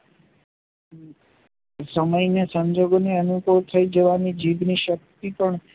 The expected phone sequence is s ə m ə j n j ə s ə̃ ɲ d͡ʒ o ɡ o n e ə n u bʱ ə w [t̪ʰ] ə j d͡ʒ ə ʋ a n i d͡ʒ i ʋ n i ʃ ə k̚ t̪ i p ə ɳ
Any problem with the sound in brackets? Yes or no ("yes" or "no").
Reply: no